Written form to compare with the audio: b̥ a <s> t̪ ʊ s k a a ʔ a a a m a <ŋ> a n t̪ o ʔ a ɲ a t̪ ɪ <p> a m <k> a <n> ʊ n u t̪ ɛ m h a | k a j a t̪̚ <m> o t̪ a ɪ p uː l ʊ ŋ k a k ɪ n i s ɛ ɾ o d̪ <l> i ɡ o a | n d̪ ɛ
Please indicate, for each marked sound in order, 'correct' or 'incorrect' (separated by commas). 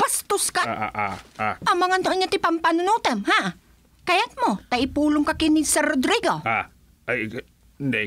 correct, correct, correct, incorrect, correct, correct, incorrect